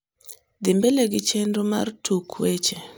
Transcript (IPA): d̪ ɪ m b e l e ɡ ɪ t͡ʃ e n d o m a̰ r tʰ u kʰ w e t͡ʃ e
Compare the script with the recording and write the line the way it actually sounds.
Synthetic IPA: d̪ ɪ m b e l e ɡ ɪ t͡ʃ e n d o m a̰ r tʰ u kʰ w e t͡ʃ e